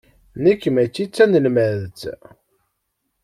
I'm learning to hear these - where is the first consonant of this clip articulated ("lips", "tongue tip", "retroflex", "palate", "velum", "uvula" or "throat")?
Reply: tongue tip